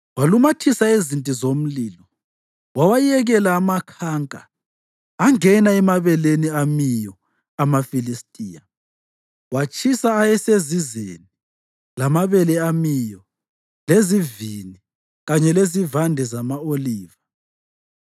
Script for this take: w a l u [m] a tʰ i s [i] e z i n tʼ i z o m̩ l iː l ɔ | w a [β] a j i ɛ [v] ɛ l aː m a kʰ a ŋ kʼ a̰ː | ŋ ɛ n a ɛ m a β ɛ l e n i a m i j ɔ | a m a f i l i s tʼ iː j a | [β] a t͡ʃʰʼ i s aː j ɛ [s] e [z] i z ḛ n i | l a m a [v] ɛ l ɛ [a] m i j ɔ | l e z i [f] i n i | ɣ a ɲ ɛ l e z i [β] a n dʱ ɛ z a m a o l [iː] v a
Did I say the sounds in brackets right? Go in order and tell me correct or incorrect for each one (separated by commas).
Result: correct, incorrect, incorrect, incorrect, incorrect, correct, correct, incorrect, correct, incorrect, incorrect, correct